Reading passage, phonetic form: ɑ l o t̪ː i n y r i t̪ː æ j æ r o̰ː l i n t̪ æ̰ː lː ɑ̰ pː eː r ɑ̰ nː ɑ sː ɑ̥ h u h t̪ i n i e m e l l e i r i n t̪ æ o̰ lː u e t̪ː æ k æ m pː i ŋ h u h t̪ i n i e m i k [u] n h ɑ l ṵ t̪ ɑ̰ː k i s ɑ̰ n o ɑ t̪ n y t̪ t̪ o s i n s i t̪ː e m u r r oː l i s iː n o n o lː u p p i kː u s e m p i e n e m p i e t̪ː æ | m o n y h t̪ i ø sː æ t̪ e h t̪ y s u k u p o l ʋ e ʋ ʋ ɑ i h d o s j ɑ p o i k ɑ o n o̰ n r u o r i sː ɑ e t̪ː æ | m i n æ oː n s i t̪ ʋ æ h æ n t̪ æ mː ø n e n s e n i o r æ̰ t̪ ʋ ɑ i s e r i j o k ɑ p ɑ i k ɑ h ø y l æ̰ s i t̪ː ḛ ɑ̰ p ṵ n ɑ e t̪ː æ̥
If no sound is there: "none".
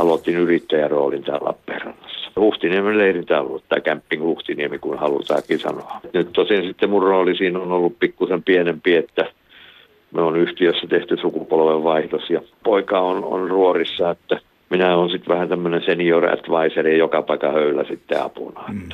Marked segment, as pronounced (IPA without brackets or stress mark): u